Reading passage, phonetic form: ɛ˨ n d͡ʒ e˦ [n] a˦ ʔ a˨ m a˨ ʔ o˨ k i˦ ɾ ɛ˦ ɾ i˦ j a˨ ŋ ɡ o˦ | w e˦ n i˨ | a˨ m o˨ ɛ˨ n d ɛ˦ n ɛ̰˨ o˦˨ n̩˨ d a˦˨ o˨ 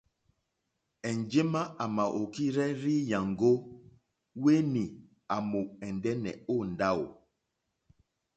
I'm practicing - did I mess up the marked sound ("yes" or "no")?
yes